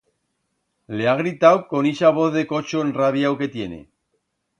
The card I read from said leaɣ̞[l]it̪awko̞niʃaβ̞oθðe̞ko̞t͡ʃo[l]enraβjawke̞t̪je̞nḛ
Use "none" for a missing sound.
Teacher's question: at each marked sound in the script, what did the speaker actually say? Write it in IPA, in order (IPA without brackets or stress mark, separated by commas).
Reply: ɾ, none